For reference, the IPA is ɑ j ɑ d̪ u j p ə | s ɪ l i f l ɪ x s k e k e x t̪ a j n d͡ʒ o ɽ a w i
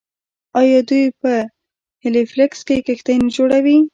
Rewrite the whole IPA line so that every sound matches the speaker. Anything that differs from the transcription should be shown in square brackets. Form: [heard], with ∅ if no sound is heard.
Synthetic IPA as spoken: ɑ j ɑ d̪ u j p ə | [h] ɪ l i f l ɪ [k] s k e k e x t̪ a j n d͡ʒ o ɽ a w i